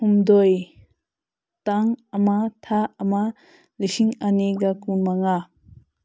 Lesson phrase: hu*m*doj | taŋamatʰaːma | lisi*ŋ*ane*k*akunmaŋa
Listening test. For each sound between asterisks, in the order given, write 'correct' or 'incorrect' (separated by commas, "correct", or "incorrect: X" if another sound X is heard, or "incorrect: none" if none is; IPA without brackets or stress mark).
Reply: correct, correct, incorrect: ɡ